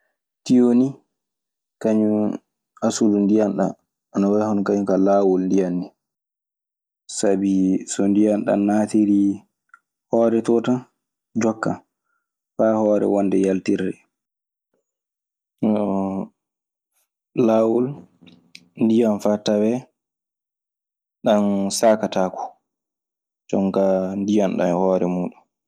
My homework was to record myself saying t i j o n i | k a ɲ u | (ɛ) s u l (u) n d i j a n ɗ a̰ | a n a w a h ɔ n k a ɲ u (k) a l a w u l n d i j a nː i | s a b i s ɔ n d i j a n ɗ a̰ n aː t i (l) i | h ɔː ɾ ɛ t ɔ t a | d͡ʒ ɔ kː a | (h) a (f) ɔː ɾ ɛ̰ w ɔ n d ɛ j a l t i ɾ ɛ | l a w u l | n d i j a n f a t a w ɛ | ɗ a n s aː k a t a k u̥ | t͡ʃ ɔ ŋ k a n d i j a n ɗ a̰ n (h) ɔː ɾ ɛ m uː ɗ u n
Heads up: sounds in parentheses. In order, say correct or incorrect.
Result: incorrect: a, correct, correct, incorrect: ɾ, incorrect: f, incorrect: h, correct

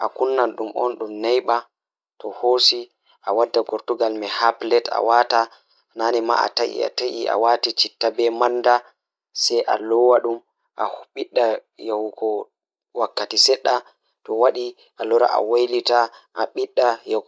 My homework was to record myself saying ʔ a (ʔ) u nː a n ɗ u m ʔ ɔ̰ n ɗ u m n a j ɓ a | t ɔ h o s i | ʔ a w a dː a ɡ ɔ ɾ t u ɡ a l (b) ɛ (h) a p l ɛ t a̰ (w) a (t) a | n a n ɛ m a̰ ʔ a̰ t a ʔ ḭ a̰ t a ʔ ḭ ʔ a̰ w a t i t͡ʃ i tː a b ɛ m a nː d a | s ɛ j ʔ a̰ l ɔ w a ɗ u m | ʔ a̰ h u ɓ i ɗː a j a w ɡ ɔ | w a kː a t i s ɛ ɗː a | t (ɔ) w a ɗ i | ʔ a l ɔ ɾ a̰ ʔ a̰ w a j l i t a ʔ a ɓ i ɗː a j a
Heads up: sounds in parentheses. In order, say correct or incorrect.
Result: incorrect: k, incorrect: m, correct, correct, correct, correct

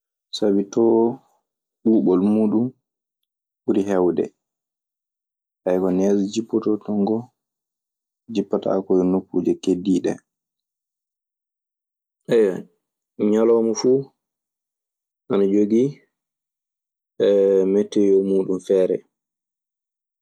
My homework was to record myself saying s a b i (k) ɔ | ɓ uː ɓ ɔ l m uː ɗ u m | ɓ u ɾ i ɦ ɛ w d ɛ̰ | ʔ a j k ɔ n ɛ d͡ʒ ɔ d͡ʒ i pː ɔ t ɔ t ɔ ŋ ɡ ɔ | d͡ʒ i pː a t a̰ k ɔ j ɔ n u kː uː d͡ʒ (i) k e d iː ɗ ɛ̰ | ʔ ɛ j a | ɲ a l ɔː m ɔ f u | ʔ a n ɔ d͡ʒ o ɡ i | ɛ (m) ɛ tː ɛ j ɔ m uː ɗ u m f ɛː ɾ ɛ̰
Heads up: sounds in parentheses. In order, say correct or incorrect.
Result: incorrect: t, incorrect: ɛ, correct

